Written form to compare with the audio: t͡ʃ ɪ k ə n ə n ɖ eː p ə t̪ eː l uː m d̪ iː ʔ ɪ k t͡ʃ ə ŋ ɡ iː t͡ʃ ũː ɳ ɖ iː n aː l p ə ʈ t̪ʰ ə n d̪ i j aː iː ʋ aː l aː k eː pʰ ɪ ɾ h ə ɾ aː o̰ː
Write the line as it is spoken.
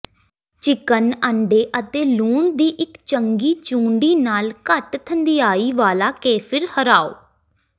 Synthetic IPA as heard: t͡ʃ ɪ k ə n ə ɳ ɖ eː ʔ ə t̪ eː l uː ɳ d̪ iː ʔ ɪ k t͡ʃ ə ŋ ɡ iː t͡ʃ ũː ɳ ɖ iː n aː l k ə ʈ t̪ʰ ə n d̪ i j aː iː ʋ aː l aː k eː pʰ ɪ ɾ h ə ɾ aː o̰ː

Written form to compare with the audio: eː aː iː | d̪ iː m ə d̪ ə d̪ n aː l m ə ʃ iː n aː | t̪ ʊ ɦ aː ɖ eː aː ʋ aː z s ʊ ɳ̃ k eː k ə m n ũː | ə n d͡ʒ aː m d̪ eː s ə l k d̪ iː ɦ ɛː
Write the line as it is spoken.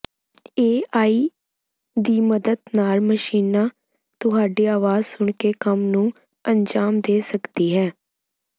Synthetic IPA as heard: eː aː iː | d̪ iː m ə d̪ ə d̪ n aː l m ə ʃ iː n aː | t̪ ʊ ɦ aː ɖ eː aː ʋ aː z s ʊ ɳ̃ k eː k ə m n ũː | ə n d͡ʒ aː m d̪ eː s ə k d̪ iː ɦ ɛː

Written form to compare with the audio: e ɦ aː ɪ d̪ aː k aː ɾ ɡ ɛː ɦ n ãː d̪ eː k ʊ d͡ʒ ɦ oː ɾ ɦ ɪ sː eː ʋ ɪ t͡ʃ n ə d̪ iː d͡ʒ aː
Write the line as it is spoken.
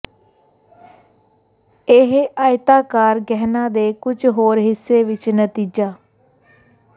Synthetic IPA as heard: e ɦ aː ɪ t̪ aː k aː ɾ ɡ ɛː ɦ n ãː d̪ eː k ʊ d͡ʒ ɦ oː ɾ ɦ ɪ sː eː ʋ ɪ t͡ʃ n ə t̪ iː d͡ʒ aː

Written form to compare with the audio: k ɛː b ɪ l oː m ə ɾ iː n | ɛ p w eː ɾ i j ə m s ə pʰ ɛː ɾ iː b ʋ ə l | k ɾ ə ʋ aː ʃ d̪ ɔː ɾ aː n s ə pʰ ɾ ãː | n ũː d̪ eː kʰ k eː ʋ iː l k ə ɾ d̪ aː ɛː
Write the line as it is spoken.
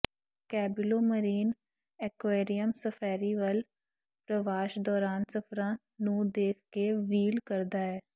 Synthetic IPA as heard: k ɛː b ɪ l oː m ə ɾ iː n | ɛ k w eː ɾ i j ə m s ə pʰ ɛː ɾ iː ʋ ə l | p ɾ ə ʋ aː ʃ d̪ ɔː ɾ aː n s ə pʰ ɾ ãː | n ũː d̪ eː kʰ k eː ʋ iː l k ə ɾ d̪ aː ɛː

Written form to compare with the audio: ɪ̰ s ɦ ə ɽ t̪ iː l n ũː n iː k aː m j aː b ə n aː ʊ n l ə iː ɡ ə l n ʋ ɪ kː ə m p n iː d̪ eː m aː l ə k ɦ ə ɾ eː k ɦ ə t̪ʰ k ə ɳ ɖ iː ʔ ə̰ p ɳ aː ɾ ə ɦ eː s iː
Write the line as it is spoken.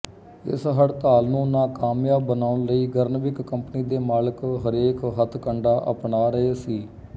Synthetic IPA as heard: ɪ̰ s ɦ ə ɽ t̪ aː l n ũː n aː k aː m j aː b ə n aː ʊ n l ə iː ɡ ə ɾ n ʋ ɪ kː ə m p n iː d̪ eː m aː l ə k ɦ ə ɾ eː k ɦ ə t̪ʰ k ə ɳ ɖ aː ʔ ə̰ p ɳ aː ɾ ə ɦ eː s iː

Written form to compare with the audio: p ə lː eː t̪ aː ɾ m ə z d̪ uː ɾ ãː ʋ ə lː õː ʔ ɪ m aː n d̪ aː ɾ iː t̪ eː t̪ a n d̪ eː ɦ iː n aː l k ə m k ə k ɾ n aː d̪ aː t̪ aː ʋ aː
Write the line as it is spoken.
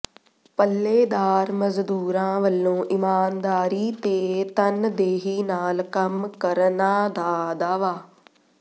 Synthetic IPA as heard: p ə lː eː d̪ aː ɾ m ə z d̪ uː ɾ ãː ʋ ə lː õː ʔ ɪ m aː n d̪ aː ɾ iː t̪ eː t̪ ə n d̪ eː ɦ iː n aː l k ə m k ə ɾ n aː d̪ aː d̪ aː ʋ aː

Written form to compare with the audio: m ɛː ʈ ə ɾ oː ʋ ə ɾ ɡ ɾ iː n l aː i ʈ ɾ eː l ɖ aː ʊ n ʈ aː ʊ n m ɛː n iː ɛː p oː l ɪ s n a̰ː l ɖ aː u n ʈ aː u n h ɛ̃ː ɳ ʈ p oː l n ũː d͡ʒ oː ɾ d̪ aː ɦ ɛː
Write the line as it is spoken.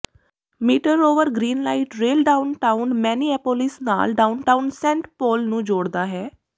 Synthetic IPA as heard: m iː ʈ ə ɾ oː ʋ ə ɾ ɡ ɾ iː n l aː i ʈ ɾ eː l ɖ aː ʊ n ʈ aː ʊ n m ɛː n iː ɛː p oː l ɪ s n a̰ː l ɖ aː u n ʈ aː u n s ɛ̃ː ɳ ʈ p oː l n ũː d͡ʒ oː ɽ d̪ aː ɦ ɛː

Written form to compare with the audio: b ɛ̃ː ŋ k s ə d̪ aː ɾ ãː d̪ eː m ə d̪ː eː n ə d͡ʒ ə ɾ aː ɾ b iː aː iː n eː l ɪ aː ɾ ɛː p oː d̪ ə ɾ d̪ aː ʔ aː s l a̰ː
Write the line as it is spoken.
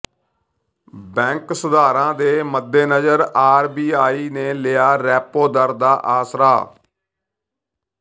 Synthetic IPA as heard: b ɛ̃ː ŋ k s ə d̪ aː ɾ ãː d̪ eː m ə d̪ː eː n ə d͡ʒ ə ɾ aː ɾ b iː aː iː n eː l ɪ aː ɾ ɛː p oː d̪ ə ɾ d̪ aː ʔ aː s ɾ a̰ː

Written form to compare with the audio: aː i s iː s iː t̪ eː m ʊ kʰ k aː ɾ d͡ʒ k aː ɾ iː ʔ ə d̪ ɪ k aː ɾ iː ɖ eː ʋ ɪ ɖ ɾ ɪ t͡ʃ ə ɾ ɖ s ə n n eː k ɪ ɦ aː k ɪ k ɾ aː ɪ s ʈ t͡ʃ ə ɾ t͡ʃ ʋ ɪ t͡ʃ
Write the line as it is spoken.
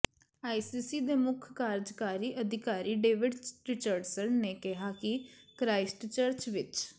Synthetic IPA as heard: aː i s iː s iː d̪ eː m ʊ kʰ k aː ɾ d͡ʒ k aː ɾ iː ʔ ə d̪ ɪ k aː ɾ iː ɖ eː ʋ ɪ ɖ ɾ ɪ t͡ʃ ə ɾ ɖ s ə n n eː k ɪ ɦ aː k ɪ k ɾ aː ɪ s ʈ t͡ʃ ə ɾ t͡ʃ ʋ ɪ t͡ʃ

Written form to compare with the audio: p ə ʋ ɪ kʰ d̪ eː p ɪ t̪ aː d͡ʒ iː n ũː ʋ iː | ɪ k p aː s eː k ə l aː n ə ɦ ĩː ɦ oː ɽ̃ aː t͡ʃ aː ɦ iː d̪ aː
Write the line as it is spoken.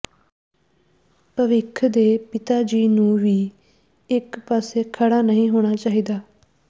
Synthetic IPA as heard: p ə ʋ ɪ kʰ d̪ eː p ɪ t̪ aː d͡ʒ iː n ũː ʋ iː | ɪ k p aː s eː kʰ ə ɽ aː n ə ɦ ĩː ɦ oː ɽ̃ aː t͡ʃ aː ɦ iː d̪ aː

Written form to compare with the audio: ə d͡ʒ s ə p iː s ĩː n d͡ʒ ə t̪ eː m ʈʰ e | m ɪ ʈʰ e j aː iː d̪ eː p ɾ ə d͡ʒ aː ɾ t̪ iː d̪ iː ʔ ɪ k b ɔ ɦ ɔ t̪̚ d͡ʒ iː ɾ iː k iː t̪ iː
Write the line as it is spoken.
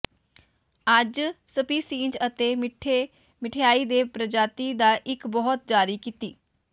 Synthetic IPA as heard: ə d͡ʒ s ə p iː s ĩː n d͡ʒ ə t̪ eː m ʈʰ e | m ɪ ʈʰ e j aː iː d̪ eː p ɾ ə d͡ʒ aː t̪ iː d̪ aː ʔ ɪ k b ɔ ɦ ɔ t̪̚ d͡ʒ aː ɾ iː k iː t̪ iː

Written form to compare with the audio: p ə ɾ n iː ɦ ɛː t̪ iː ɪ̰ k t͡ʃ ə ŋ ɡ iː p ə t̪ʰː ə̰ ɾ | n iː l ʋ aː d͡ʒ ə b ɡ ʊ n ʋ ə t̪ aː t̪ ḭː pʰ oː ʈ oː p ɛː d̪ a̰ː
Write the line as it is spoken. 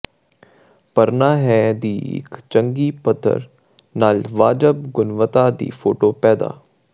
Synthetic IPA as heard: p ə ɾ n aː ɦ ɛː d̪ iː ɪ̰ k t͡ʃ ə ŋ ɡ iː p ə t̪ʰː ə̰ ɾ | n aː l ʋ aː d͡ʒ ə b ɡ ʊ n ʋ ə t̪ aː d̪ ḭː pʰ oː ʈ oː p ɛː d̪ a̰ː

